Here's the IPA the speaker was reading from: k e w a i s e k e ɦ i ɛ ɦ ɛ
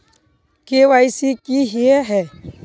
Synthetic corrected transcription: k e w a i s i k i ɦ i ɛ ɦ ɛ